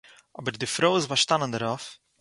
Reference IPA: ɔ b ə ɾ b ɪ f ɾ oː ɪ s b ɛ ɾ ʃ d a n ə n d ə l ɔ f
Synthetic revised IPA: ɔ b ə ɾ d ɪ f ɾ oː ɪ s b a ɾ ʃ t a n ə n d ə ɾ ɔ f